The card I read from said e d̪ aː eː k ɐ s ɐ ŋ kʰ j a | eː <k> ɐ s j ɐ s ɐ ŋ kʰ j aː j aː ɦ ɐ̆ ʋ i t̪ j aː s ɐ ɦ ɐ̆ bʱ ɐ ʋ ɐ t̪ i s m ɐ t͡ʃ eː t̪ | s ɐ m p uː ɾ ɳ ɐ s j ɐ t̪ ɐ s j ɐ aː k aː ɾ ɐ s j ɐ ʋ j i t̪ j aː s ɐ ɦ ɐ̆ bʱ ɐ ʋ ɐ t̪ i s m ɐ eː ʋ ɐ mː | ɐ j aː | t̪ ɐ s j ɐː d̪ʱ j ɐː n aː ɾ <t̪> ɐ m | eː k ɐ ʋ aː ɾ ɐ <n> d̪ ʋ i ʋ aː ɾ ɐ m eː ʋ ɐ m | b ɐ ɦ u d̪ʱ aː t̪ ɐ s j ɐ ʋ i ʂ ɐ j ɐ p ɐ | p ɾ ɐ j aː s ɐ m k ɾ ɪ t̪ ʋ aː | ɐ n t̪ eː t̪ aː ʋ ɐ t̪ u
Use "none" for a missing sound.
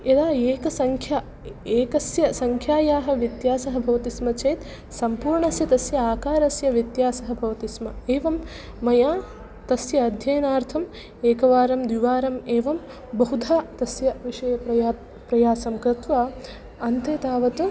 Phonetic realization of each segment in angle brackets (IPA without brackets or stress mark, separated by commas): k, t̪ʰ, m